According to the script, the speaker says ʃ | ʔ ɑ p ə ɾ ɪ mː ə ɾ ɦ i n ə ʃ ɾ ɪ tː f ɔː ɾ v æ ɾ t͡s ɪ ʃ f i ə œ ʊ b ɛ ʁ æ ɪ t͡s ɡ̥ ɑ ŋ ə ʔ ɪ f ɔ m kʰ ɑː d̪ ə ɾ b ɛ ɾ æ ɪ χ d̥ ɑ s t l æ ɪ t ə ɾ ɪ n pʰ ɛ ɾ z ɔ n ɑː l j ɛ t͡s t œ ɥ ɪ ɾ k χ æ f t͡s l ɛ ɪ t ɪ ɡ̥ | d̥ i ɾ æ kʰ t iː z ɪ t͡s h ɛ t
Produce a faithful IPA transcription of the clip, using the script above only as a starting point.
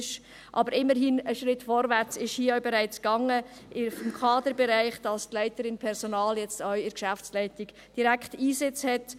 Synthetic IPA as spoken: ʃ | ʔ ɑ b ə ɾ ɪ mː ə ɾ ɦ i n ə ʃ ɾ ɪ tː f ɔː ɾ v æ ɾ t͡s ɪ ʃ h i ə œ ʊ b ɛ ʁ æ ɪ t͡s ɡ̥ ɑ ŋ ə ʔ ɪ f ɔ m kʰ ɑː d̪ ə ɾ b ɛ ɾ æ ɪ χ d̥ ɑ s t l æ ɪ t ə ɾ ɪ n pʰ ɛ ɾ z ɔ n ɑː l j ɛ t͡s t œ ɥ ɪ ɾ k ʃ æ f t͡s l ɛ ɪ t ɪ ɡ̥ | d̥ i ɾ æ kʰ t iː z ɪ t͡s h ɛ t